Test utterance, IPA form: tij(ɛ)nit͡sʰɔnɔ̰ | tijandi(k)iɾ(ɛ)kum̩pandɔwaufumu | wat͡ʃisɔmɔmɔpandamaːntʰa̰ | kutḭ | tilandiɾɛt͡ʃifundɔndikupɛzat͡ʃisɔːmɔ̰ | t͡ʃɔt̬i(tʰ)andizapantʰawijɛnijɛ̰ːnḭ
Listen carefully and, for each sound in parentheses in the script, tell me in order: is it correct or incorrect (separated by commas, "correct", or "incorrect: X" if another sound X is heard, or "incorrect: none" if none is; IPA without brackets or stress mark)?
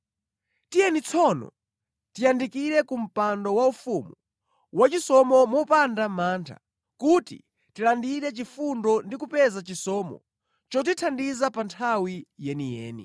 correct, correct, correct, correct